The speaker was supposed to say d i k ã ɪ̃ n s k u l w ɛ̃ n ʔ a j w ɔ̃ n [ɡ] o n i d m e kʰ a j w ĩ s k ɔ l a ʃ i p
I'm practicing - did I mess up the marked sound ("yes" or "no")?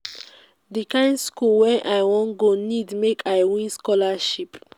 no